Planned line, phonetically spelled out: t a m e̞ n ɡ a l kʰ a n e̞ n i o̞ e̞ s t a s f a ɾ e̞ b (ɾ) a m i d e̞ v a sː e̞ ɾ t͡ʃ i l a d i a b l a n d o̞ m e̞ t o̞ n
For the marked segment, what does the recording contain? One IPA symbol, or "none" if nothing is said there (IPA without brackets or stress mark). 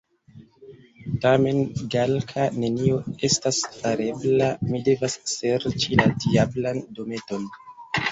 l